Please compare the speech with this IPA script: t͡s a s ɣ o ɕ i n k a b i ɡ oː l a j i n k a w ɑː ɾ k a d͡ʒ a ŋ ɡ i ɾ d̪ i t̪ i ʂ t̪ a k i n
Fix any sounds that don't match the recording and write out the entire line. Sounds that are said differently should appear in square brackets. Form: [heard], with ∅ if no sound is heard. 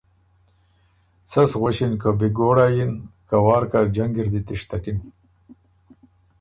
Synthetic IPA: t͡s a s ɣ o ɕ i n k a b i ɡ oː [ɽ] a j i n k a w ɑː ɾ k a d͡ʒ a ŋ ɡ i ɾ d̪ i t̪ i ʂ t̪ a k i n

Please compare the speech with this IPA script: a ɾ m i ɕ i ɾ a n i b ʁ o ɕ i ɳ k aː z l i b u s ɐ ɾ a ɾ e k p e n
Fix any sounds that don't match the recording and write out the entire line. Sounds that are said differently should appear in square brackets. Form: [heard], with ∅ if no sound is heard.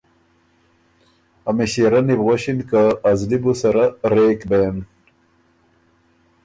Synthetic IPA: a [∅] m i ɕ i ɾ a n i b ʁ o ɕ i [n] k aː z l i b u s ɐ ɾ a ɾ e k [b] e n

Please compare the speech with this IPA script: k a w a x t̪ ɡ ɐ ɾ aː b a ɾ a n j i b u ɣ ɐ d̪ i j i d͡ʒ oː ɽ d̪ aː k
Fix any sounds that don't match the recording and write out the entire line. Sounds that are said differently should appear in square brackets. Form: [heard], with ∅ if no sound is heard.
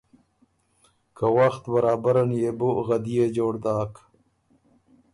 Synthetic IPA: k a w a x t̪ [b] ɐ ɾ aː b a ɾ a n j [e] b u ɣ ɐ d̪ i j [e] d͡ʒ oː ɽ d̪ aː k

